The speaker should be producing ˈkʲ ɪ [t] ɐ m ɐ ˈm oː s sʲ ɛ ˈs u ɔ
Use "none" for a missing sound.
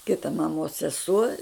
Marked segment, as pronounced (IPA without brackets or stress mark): t